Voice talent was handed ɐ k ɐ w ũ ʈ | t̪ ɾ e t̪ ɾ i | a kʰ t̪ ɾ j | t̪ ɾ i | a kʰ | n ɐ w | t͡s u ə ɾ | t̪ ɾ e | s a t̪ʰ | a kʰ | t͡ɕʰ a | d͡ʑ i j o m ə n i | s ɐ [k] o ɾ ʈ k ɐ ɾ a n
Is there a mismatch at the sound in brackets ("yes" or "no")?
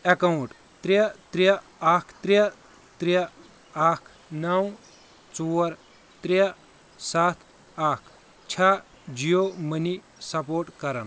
yes